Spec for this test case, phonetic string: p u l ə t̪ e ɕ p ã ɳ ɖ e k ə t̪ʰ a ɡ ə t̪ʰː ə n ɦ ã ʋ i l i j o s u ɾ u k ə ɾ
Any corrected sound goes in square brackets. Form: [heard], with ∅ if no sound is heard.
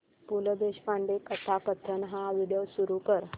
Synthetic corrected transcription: p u l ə [d̪] e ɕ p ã ɳ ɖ e k ə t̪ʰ a [k] ə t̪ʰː ə n ɦ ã ʋ i [ɽ] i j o s u ɾ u k ə ɾ